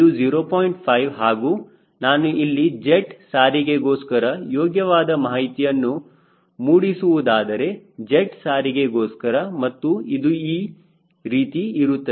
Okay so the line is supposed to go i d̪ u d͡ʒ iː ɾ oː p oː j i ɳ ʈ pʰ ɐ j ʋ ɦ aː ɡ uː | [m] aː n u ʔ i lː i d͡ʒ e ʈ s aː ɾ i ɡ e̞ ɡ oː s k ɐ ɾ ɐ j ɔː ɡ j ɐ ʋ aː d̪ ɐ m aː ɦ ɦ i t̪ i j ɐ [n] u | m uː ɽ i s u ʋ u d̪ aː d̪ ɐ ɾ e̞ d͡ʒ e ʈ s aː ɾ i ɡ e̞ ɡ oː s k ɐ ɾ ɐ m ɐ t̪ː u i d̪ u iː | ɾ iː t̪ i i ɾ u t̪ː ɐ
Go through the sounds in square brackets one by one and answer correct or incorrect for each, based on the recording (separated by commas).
incorrect, incorrect